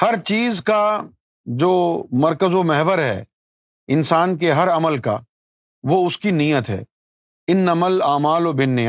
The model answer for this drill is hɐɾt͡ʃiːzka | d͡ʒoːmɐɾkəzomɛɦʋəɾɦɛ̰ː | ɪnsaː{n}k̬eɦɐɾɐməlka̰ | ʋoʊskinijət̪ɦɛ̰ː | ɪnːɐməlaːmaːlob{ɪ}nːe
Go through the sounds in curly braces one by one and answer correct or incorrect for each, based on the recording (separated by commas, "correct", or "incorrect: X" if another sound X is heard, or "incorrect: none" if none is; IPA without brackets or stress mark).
correct, correct